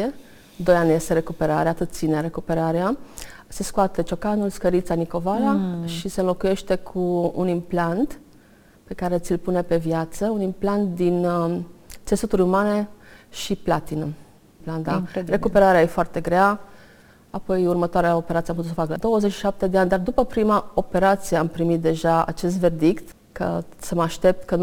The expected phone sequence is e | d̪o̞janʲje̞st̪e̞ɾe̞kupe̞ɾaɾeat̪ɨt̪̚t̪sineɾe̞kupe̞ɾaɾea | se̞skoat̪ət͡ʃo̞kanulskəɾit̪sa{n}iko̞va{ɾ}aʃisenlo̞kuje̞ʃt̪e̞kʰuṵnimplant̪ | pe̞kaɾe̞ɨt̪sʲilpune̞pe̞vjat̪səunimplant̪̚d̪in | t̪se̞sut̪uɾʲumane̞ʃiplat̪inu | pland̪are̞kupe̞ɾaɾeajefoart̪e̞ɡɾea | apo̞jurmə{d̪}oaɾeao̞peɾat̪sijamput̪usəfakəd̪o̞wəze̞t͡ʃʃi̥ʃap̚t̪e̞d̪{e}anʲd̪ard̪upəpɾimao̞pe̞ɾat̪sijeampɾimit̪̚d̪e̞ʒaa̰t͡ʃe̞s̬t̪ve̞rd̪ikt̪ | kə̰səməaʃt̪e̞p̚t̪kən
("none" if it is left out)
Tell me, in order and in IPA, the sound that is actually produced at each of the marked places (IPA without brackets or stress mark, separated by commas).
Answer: n, l, t̪, e